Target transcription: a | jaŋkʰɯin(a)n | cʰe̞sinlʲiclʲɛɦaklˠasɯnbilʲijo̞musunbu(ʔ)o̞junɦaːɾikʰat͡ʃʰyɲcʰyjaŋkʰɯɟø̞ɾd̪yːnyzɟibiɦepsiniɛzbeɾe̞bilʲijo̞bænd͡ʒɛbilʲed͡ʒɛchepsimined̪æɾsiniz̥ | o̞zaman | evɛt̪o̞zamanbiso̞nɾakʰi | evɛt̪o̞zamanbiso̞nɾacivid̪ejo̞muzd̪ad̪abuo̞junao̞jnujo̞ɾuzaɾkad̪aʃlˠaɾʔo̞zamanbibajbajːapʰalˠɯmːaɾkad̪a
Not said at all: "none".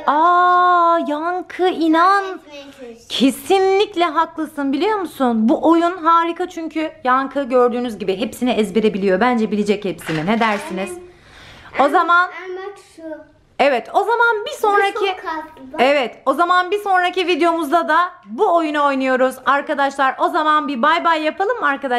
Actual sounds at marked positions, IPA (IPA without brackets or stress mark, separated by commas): a, ʔ